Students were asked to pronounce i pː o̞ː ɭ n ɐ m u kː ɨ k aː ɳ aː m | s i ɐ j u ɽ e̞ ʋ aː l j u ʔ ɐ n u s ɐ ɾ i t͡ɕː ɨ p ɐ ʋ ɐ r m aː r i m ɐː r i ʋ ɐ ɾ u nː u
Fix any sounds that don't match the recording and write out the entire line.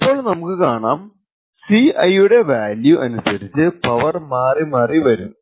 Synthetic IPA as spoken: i pː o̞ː ɭ n ɐ m u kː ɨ k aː ɳ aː m | s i ɐ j u ɽ e̞ ʋ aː l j u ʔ ɐ n u s ɐ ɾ i t͡ɕː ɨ p ɐ ʋ ɐ r m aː r i m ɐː r i ʋ ɐ ɾ u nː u